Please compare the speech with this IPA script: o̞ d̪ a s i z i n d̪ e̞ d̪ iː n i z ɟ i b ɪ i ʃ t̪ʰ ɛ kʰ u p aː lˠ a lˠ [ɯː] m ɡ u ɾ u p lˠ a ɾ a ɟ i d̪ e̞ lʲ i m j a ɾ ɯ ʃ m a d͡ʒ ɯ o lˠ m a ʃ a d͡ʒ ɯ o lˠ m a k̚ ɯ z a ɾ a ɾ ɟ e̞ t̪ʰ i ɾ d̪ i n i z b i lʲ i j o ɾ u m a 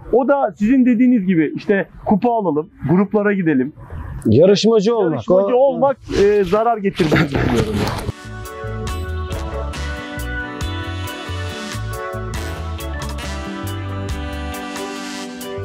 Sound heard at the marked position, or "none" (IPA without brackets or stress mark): ɯ